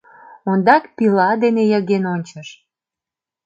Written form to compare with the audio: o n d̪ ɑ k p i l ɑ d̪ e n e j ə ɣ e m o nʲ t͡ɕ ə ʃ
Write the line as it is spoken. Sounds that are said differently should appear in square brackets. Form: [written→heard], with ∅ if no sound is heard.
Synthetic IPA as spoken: o n d̪ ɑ k p i l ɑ d̪ e n e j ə ɣ e [m→n] o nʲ t͡ɕ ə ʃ

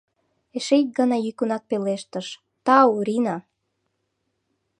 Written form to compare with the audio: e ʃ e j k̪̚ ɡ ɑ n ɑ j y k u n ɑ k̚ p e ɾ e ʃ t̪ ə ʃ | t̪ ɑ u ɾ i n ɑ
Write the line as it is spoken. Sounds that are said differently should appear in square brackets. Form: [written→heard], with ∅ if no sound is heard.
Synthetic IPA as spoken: e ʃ e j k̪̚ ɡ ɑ n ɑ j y k u n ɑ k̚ p e [ɾ→l] e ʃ t̪ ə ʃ | t̪ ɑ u ɾ i n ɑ

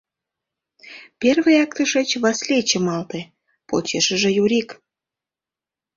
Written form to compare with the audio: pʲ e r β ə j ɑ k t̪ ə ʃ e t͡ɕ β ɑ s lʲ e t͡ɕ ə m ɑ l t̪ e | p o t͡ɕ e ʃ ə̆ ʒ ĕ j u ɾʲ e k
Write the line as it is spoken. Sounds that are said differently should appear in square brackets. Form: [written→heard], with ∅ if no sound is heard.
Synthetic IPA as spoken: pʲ e r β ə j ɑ k t̪ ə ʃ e t͡ɕ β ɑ s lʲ e t͡ɕ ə m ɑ l t̪ e | p o t͡ɕ e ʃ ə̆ ʒ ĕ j u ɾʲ [e→i] k

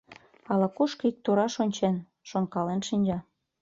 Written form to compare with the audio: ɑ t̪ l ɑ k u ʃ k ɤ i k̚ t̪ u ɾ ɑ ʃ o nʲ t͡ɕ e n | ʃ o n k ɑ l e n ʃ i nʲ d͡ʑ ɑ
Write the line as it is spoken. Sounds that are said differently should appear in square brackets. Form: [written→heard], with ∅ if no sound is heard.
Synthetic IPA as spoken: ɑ [t̪→∅] l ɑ k u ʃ k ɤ i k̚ t̪ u ɾ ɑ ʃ o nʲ t͡ɕ e n | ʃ o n k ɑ l e n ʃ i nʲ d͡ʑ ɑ

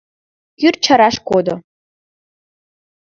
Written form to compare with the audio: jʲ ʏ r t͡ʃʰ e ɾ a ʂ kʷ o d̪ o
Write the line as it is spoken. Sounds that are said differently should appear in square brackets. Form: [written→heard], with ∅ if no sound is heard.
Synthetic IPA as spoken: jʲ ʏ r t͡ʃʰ [e→a] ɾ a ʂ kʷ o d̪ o

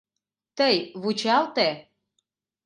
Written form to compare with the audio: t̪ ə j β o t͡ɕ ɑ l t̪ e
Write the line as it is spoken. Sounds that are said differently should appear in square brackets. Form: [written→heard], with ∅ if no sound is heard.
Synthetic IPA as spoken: t̪ ə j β [o→u] t͡ɕ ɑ l t̪ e

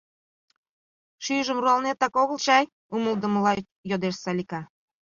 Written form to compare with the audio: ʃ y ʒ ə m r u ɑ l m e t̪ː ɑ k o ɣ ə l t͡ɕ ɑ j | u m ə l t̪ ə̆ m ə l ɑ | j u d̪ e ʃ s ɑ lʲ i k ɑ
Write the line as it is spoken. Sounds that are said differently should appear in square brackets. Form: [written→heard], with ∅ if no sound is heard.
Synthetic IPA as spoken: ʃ y ʒ ə m r u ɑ l [m→n] e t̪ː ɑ k o ɣ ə l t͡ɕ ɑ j | u m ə l [t̪→d̪] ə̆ m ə l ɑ | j [u→o] d̪ e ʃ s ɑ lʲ i k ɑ

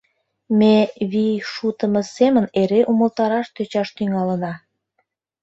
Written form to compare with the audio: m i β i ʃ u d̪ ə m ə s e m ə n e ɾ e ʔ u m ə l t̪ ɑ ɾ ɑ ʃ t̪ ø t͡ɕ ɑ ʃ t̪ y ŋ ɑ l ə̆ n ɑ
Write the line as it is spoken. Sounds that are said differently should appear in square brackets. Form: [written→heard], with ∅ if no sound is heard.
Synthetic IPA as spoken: m [i→e] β i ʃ u [d̪→t̪] ə m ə s e m ə n e ɾ e ʔ u m ə l t̪ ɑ ɾ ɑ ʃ t̪ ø t͡ɕ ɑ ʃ t̪ y ŋ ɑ l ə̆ n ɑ

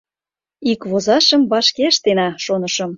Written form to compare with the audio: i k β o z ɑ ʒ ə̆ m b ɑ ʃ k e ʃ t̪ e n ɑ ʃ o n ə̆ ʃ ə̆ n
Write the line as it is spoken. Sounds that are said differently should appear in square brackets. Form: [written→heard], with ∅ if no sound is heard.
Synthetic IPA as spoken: i k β o z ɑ [ʒ→ʃ] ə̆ m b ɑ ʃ k e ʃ t̪ e n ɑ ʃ o n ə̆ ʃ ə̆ [n→m]

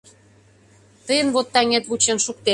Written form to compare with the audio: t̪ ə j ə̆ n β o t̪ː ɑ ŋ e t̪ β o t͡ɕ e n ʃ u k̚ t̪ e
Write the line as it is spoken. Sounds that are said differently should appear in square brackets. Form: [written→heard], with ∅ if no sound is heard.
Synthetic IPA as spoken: t̪ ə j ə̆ n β o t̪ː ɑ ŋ e t̪ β [o→u] t͡ɕ e n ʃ u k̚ t̪ e

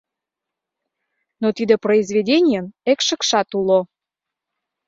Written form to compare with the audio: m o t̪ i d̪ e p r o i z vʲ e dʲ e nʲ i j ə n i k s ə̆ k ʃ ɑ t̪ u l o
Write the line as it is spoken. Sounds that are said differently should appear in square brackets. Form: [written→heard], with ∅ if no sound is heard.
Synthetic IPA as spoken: [m→n] o t̪ i d̪ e p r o i z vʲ e dʲ e nʲ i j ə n [i→e] k [s→ʃ] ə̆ k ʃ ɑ t̪ u l o

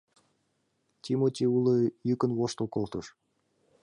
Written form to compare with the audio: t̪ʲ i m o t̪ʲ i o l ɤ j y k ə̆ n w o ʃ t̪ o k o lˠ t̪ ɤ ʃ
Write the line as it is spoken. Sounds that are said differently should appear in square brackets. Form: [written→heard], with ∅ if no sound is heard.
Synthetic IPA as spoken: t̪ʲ i m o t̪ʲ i [o→u] l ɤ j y k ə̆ n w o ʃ t̪ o k o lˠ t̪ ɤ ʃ

